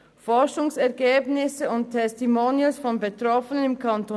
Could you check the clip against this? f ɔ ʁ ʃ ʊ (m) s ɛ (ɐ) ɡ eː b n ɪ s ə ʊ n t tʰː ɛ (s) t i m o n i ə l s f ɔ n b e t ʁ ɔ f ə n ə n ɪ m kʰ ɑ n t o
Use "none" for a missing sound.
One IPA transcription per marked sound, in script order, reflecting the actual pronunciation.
ŋ, ɐ, s

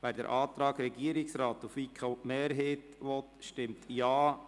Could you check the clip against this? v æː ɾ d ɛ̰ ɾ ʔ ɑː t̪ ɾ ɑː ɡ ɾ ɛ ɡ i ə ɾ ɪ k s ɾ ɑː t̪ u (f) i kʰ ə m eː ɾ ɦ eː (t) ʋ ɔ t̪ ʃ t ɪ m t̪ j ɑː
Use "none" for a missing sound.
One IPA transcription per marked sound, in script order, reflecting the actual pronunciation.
f, t

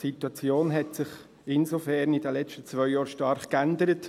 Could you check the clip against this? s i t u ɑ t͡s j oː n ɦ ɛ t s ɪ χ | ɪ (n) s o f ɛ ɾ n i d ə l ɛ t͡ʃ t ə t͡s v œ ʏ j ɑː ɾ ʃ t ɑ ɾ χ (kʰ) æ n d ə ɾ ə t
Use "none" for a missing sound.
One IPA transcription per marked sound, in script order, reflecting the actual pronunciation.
n, k

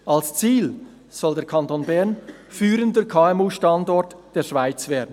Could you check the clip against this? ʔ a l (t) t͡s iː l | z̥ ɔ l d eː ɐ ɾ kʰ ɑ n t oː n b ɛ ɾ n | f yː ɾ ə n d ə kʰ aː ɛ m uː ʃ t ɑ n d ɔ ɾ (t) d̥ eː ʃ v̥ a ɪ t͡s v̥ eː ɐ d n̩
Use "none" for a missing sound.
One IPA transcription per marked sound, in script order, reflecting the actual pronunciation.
s, t

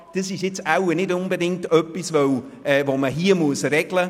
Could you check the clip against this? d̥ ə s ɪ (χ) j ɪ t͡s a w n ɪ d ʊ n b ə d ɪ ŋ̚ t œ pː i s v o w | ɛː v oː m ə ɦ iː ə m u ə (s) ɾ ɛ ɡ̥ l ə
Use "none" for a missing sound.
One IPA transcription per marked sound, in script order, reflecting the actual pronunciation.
ʃ, s

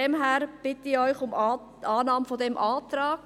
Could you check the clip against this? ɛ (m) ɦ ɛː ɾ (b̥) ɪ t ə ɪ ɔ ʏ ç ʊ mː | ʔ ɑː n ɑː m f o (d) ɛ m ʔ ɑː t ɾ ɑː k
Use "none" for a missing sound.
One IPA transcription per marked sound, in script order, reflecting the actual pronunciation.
m, b̥, d

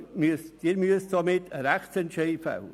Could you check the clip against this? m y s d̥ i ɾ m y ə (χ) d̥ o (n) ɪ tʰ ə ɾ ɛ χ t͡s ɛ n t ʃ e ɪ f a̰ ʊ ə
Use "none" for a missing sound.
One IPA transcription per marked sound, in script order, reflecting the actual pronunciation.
s, m

